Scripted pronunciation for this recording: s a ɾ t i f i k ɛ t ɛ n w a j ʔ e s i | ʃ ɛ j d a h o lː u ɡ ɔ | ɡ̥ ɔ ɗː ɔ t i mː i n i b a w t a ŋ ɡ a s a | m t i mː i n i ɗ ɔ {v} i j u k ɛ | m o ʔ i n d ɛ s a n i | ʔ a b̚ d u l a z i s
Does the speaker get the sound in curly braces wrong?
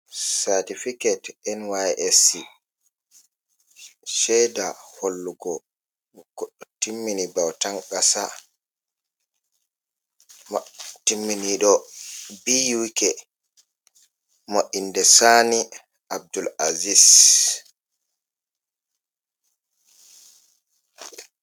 yes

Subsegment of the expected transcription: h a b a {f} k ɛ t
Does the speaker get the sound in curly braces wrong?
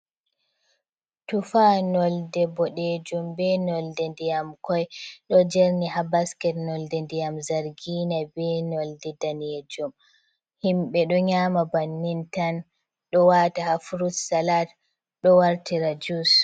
yes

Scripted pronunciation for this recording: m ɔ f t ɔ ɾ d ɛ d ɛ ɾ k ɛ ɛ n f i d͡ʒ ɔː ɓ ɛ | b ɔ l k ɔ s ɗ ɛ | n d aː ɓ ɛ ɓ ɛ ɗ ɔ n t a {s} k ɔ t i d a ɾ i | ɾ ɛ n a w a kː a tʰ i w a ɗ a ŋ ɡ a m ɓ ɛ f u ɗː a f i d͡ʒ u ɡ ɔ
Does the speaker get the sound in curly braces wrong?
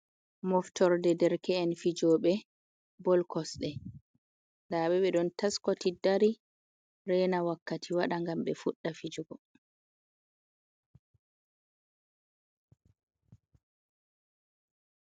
no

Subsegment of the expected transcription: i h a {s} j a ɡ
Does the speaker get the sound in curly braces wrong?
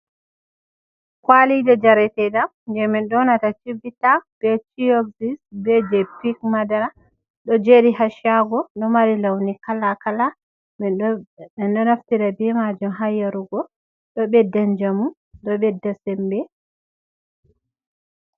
yes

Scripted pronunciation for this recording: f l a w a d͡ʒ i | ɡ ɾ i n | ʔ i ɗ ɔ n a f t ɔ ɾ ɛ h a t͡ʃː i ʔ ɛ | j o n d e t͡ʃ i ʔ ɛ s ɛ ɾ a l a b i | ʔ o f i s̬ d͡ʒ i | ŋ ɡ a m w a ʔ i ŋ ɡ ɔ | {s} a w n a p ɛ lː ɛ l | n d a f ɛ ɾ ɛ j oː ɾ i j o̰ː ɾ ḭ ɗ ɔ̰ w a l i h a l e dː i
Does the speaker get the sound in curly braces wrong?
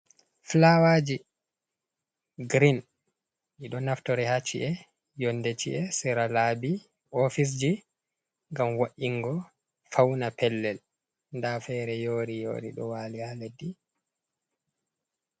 yes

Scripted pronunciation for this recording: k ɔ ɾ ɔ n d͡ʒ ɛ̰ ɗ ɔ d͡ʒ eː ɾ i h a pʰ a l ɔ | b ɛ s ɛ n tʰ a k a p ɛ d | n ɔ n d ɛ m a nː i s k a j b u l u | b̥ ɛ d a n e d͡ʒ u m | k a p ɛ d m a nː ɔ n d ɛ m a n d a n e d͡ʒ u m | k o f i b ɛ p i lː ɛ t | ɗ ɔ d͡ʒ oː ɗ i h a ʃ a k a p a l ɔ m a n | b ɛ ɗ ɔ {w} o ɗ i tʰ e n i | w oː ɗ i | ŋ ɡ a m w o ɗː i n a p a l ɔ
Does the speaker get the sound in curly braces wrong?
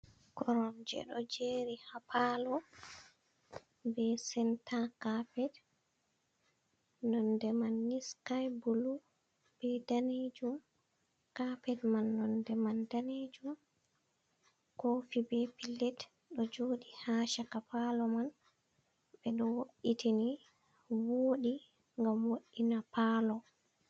no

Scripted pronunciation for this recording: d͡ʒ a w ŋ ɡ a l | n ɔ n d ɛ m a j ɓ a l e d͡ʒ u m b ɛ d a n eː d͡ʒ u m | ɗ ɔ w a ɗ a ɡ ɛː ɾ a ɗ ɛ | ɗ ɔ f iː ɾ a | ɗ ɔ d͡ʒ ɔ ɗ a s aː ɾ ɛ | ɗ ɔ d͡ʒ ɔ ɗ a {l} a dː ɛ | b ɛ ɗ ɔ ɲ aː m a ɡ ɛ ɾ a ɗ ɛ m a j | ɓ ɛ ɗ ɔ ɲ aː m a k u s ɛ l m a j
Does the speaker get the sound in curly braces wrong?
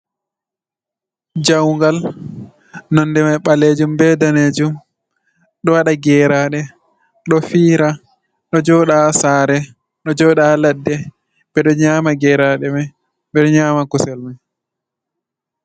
no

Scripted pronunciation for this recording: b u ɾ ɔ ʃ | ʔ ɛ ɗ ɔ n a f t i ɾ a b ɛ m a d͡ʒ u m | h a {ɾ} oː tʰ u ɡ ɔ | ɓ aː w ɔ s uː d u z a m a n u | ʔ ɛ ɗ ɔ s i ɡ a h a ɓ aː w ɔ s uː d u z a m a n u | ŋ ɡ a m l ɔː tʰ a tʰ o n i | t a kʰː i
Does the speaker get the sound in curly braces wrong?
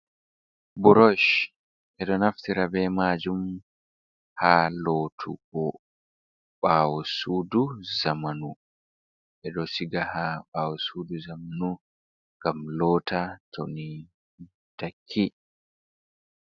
yes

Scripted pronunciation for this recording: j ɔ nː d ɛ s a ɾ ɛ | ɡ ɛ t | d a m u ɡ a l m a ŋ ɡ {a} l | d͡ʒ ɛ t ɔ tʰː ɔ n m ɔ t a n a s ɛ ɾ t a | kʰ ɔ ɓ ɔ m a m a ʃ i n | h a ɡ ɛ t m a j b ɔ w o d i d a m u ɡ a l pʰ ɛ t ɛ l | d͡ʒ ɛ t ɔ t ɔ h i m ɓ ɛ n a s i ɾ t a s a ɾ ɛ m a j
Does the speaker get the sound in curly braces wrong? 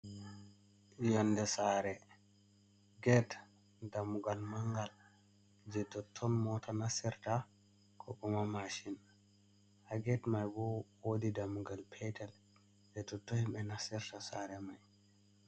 no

